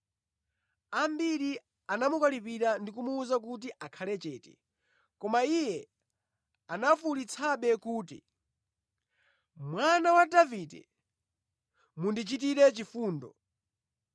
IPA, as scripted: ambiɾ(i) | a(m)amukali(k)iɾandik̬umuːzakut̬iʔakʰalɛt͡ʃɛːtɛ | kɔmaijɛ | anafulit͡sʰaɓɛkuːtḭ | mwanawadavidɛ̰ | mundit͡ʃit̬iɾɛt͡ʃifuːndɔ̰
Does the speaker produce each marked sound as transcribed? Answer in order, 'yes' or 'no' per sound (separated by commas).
yes, no, no